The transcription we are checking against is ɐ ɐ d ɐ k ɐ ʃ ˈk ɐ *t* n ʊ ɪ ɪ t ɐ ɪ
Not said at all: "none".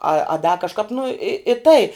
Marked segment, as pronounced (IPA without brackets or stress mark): p